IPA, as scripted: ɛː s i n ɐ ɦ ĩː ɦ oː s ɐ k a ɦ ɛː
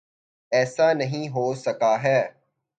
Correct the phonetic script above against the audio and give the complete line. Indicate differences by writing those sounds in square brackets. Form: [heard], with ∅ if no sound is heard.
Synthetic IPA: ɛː s [a] n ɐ ɦ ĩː ɦ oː s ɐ k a ɦ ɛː